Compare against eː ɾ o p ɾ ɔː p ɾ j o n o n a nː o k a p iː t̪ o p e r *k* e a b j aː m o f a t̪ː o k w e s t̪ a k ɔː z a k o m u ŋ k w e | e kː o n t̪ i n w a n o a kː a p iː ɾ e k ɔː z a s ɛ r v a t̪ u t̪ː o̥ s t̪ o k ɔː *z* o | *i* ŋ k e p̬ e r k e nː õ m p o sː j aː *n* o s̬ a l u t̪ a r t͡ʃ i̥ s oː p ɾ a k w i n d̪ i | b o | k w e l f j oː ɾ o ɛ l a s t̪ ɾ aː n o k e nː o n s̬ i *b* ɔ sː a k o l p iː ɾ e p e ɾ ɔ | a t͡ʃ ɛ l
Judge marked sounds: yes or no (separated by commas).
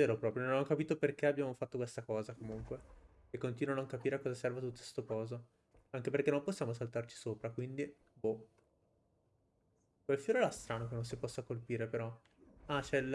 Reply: yes, yes, no, no, no